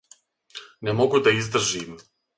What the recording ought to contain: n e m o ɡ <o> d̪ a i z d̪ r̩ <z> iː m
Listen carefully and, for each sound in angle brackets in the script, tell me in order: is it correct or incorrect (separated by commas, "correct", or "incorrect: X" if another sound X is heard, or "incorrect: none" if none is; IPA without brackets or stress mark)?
incorrect: u, incorrect: ʒ